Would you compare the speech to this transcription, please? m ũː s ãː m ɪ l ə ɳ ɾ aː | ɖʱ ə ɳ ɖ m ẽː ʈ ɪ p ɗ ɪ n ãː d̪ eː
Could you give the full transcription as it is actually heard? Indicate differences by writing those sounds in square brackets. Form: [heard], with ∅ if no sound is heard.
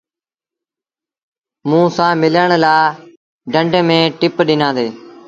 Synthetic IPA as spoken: m ũː s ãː m ɪ l ə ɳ [l] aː | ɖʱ ə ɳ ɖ m ẽː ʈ ɪ p ɗ ɪ n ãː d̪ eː